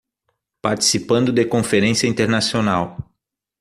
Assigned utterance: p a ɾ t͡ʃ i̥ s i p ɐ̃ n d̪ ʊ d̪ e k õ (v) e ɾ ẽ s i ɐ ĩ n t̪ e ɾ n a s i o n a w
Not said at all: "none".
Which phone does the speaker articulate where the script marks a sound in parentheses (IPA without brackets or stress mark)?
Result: f